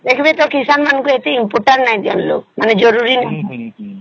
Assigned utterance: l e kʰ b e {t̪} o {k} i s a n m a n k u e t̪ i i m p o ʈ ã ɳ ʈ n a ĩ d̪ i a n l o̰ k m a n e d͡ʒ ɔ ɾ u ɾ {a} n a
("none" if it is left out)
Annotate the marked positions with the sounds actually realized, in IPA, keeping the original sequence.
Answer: t̪, k, i

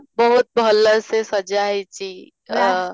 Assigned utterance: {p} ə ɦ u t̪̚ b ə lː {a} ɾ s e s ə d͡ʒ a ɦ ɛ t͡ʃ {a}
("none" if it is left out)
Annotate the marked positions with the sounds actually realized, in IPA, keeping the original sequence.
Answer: b, ə, i

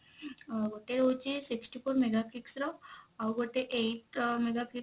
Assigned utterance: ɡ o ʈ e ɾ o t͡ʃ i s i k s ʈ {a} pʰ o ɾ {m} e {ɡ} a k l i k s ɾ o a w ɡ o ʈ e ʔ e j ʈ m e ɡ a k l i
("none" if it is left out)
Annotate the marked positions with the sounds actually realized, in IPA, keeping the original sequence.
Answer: i, m, ɡ

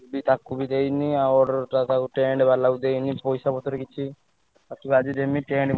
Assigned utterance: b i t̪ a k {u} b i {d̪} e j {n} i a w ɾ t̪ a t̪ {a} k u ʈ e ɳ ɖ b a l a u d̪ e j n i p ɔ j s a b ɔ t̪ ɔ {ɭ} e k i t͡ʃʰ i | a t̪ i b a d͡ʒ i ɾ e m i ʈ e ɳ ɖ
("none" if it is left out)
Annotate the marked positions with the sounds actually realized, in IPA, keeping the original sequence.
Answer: u, d̪, n, a, ɾ

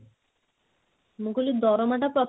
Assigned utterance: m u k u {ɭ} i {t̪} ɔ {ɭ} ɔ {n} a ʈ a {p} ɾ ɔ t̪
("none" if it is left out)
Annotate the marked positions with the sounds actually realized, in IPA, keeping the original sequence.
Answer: l, d̪, ɾ, m, p

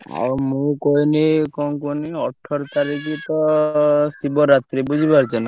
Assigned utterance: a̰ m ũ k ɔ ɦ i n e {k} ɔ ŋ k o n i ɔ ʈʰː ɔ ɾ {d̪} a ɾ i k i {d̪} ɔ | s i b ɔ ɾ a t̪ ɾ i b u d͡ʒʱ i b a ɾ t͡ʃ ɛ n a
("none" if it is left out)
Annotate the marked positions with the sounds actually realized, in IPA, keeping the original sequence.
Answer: k, t̪, t̪

